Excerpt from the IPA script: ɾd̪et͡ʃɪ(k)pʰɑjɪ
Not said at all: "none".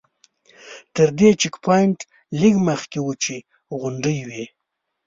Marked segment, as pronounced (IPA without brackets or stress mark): k